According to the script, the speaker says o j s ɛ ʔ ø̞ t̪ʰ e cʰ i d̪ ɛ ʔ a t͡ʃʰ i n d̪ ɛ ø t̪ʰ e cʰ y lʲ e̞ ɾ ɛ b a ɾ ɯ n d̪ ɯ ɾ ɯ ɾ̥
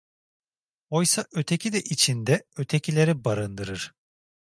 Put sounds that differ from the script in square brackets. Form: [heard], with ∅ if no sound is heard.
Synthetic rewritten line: o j s [a] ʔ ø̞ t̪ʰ e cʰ i d̪ ɛ ʔ [i] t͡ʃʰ i n d̪ ɛ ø t̪ʰ e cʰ [i] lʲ e̞ ɾ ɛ b a ɾ ɯ n d̪ ɯ ɾ ɯ ɾ̥

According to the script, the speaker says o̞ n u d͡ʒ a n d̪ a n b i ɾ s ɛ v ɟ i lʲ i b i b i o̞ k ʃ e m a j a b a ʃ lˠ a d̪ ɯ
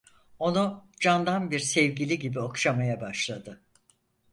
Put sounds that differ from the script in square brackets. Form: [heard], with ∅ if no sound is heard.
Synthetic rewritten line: o̞ n u d͡ʒ a n d̪ a n b i ɾ s ɛ v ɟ i lʲ i [ɟ] i b i o̞ k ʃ [a] m a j a b a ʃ lˠ a d̪ ɯ

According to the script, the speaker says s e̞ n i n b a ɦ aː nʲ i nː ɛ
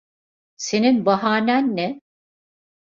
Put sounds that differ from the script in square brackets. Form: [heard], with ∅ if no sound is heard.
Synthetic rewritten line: s e̞ n i n b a ɦ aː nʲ [æ] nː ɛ

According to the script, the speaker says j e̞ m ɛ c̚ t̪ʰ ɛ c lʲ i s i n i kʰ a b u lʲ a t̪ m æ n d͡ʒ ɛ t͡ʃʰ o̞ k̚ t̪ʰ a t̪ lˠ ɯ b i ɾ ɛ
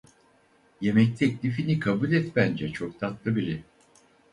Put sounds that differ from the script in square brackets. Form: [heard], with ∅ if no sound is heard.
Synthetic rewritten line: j e̞ m ɛ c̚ t̪ʰ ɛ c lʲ i [f] i n i kʰ a b u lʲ [ɛ] t̪ [b] æ n d͡ʒ ɛ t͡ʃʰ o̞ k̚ t̪ʰ a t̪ lˠ ɯ b i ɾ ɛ

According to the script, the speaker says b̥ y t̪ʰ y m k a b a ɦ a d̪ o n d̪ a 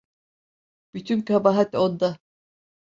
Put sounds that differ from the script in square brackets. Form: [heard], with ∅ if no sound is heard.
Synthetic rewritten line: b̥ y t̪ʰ y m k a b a ɦ a [t̪] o n d̪ a

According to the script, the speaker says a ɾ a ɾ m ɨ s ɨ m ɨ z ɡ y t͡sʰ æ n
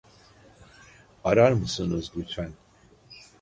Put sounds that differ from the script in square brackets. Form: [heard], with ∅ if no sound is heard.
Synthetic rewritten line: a ɾ a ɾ m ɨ s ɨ [n] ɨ z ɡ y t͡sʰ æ n

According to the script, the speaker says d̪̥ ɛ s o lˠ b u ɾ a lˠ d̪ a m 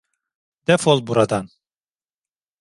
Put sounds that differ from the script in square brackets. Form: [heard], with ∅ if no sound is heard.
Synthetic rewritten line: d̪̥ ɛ [f] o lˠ b u ɾ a [∅] d̪ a [n]

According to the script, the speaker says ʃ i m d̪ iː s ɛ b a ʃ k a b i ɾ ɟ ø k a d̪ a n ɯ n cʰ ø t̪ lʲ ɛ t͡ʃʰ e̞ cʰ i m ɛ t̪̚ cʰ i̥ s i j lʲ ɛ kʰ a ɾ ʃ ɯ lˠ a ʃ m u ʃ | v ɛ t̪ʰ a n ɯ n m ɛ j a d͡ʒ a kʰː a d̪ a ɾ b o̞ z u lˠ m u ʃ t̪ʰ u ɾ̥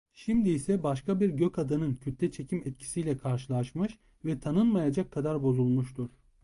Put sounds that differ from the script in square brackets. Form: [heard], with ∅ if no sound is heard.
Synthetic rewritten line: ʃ i m d̪ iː s ɛ b a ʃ k a b i ɾ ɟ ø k a d̪ a n ɯ n cʰ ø t̪ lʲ ɛ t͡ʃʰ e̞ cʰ i m ɛ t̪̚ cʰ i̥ s i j lʲ ɛ kʰ a ɾ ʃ ɯ lˠ a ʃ m [ɯ] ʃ | v ɛ t̪ʰ a n ɯ n m [a] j a d͡ʒ a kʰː a d̪ a ɾ b o̞ z u lˠ m u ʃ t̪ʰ u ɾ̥

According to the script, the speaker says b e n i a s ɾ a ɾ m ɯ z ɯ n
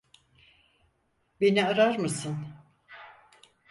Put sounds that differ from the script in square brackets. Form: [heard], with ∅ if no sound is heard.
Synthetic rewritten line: b e n i a [∅] ɾ a ɾ m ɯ [s] ɯ n

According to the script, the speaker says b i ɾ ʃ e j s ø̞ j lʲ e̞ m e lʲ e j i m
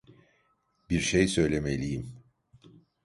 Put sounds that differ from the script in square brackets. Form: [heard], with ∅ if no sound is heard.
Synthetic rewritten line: b i ɾ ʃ e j s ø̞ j lʲ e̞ m e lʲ [i] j i m

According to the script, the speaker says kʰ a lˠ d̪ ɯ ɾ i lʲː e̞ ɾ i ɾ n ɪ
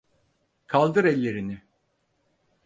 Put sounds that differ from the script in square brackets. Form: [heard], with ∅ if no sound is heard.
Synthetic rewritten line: kʰ a lˠ d̪ ɯ ɾ [ɛ] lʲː e̞ ɾ i [∅] n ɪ

